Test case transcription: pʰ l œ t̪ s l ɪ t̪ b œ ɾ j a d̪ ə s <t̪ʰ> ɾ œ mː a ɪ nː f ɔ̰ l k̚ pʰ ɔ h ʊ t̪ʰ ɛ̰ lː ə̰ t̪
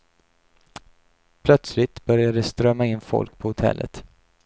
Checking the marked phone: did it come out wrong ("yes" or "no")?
yes